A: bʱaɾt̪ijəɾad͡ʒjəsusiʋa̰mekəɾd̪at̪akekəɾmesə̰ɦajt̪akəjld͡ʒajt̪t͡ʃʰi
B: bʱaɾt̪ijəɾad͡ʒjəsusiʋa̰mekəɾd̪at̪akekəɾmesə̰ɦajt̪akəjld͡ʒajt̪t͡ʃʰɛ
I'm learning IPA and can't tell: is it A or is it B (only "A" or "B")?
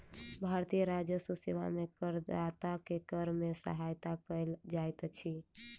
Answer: A